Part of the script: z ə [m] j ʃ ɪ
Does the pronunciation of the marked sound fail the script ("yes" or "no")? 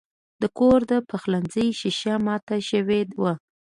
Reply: yes